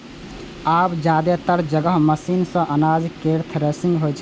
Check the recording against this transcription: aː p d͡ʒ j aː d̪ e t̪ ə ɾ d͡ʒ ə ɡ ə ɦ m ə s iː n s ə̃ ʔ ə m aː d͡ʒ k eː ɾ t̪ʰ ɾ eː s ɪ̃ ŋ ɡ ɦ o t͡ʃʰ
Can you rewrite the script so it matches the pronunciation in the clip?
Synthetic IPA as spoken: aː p d͡ʒ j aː d̪ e t̪ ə ɾ d͡ʒ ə ɡ ə ɦ m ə s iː n s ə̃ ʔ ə n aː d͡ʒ k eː ɾ t̪ʰ ɾ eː s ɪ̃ ŋ ɡ ɦ o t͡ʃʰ